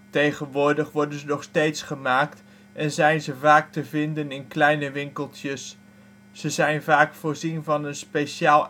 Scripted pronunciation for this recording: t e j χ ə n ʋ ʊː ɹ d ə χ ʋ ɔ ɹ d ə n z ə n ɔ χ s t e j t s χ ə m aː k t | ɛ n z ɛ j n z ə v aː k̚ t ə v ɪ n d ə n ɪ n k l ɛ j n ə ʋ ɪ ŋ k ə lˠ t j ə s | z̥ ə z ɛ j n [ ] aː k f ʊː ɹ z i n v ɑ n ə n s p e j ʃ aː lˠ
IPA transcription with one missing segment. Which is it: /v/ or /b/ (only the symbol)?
v